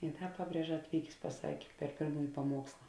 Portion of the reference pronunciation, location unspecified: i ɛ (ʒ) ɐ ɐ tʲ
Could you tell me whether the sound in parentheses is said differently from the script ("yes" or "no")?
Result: no